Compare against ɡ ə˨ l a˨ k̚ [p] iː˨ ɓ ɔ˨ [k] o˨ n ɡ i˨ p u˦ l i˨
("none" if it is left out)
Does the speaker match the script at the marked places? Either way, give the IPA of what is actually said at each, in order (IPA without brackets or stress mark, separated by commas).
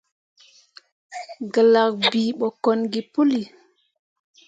b, k